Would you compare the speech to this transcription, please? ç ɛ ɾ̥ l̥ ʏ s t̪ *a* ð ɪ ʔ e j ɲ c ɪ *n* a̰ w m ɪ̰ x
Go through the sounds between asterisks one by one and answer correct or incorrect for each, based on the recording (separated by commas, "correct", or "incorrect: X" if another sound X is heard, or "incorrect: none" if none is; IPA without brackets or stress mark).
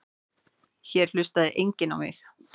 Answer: correct, correct